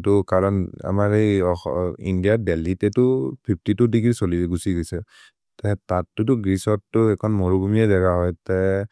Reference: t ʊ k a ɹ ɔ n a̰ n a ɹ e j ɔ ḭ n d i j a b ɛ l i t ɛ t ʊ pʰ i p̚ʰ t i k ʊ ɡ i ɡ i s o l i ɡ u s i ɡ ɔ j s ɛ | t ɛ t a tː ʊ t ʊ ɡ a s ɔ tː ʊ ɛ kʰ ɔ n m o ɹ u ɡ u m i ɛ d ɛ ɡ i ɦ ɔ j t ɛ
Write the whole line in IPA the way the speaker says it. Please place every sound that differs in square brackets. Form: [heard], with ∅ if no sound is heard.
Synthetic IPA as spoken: t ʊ k a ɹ ɔ n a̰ [m] a ɹ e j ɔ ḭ n d i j a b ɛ l i t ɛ t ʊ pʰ i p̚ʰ t i [t] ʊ [d] i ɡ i s o l i ɡ u s i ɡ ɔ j s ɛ | t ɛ t a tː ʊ t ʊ ɡ [i] s ɔ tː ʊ ɛ kʰ ɔ n m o ɹ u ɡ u m i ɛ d ɛ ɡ [a] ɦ ɔ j t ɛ

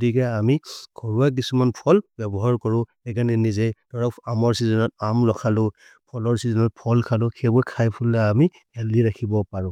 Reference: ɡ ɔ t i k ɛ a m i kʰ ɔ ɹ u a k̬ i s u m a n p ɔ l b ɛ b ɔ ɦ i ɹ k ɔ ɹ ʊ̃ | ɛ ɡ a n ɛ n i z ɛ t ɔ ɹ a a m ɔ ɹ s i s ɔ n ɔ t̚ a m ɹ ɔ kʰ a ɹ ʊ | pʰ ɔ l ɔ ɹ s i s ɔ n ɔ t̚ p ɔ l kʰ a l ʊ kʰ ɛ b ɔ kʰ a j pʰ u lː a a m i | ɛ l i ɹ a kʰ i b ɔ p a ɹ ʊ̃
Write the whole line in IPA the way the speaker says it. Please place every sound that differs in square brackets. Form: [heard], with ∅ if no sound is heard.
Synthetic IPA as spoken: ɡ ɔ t i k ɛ a m i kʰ ɔ ɹ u a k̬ i s u m a n [pʰ] ɔ l b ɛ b ɔ ɦ [a] ɹ k ɔ ɹ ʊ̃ | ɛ ɡ a n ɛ n i z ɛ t ɔ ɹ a a m ɔ ɹ s i [z] ɔ n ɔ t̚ a m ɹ ɔ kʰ a [l] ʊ | pʰ ɔ l ɔ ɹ s i [z] ɔ n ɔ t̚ [pʰ] ɔ l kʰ a l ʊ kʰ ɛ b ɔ kʰ a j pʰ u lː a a m i | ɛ l i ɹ a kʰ i b ɔ p a ɹ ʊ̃

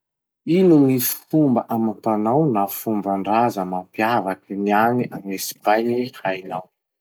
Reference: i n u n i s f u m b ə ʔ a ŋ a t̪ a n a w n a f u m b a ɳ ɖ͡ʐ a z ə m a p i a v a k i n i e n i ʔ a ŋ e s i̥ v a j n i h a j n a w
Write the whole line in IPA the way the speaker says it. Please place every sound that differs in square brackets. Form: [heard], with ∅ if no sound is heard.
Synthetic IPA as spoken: i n u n i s f u m b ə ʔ a [m] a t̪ a n a w n a f u m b a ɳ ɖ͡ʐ a z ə m a p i a v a k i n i [a] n i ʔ a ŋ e s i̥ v a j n i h a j n a w

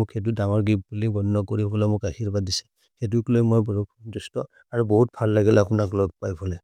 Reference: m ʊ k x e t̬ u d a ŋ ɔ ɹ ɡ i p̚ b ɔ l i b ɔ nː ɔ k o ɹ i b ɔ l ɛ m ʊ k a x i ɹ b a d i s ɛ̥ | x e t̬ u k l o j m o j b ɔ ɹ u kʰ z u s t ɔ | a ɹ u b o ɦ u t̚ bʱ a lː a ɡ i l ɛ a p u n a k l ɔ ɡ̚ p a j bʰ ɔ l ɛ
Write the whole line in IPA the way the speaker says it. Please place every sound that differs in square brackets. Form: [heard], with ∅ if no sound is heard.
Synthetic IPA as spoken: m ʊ k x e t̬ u d a ŋ ɔ ɹ ɡ i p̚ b [u] l i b ɔ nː ɔ k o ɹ i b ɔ l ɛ m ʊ k a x i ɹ b a d i s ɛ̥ | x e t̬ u k l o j m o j b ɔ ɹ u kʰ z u s t ɔ | a ɹ u b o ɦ u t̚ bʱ a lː a ɡ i l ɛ a p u n a k l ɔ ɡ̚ p a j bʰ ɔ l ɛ

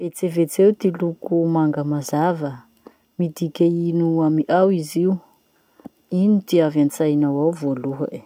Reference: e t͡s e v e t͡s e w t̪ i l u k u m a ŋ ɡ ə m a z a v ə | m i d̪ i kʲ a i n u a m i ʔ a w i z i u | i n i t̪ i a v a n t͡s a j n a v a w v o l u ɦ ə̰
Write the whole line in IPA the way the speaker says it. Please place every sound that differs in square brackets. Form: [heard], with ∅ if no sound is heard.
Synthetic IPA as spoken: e t͡s e v e t͡s e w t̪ i l u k u m a ŋ ɡ ə m a z a v ə | m i d̪ i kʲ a i n u a m i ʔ a w i z i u | i n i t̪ i a v a n t͡s a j n a [w] a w v o l u ɦ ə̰

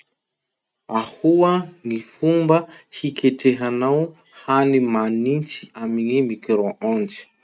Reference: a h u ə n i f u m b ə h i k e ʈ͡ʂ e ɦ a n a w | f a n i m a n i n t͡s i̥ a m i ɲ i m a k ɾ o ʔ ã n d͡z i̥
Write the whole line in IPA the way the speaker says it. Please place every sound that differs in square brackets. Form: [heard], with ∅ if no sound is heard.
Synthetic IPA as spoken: a h u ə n i f u m b ə h i k e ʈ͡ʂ e ɦ a n a w | [h] a n i m a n i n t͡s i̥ a m i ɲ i m [i] k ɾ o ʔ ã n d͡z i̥

